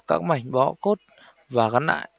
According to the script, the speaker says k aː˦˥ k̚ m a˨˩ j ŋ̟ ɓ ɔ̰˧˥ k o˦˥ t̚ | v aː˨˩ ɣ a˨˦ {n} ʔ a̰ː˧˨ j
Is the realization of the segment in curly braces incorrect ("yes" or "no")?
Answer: no